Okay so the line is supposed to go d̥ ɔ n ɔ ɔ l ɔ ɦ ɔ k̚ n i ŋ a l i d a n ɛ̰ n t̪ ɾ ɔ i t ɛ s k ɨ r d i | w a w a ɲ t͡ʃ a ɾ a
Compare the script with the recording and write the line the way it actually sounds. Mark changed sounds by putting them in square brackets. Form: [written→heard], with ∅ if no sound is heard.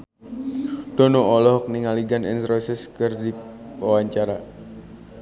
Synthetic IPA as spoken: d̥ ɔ n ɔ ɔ l ɔ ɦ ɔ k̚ n i ŋ a l i [d→ɡ] a n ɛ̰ n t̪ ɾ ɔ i [t→s] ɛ s k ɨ r d i | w a w a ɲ t͡ʃ a ɾ a